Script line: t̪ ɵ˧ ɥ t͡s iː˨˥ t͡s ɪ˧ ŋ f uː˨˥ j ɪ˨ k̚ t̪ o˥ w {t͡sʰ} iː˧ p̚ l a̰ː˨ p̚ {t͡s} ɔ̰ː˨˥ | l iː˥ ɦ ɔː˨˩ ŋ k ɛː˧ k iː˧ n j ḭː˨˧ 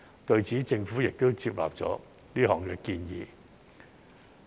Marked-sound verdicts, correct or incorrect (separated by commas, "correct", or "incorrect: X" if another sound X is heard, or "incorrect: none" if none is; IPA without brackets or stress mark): incorrect: t͡s, correct